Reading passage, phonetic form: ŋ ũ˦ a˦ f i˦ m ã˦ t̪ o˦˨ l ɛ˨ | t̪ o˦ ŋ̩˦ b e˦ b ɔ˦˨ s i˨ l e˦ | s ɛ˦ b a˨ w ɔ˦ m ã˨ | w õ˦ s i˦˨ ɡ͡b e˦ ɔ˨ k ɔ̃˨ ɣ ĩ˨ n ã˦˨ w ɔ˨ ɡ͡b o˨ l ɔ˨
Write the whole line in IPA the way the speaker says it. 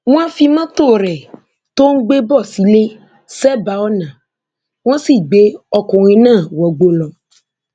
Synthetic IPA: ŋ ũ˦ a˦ f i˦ m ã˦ t̪ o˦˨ ɾ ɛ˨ | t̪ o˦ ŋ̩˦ ɡ͡b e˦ b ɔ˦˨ s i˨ l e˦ | s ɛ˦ b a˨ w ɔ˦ n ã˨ | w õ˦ s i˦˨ ɡ͡b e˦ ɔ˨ k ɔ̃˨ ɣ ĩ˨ n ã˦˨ w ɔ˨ ɡ͡b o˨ l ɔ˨